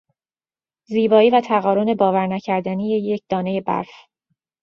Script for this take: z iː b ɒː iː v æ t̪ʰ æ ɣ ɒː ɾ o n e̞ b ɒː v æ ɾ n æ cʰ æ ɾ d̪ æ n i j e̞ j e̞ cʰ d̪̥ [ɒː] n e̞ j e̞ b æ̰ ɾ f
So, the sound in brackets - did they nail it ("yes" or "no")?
yes